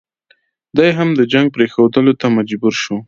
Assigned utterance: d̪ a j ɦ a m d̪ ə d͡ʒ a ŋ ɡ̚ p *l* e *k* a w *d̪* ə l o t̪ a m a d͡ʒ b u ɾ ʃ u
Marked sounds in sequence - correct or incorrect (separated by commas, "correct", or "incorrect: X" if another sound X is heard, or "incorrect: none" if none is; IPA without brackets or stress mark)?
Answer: incorrect: ɾ, incorrect: x, correct